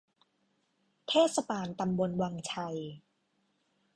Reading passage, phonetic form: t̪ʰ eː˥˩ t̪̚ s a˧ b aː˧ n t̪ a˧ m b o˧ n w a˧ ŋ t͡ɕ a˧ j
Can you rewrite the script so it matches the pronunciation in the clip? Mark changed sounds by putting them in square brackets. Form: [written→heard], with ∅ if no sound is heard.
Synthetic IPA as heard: t̪ʰ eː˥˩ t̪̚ s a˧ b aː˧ n t̪ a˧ m b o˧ n w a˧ ŋ [t͡ɕ→t͡ɕʰ] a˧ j